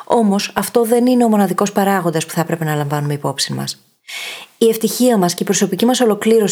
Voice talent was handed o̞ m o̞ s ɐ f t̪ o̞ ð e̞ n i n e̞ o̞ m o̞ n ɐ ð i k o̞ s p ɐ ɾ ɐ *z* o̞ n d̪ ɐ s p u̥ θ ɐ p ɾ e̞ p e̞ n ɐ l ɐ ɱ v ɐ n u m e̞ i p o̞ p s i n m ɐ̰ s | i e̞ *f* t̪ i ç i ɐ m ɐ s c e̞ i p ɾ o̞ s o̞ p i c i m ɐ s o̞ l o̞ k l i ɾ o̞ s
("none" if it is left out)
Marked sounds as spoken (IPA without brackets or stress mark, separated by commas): ɣ, f